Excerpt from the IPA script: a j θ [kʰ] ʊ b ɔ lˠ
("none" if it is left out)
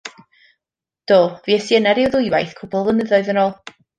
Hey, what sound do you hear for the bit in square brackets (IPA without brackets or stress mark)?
kʰ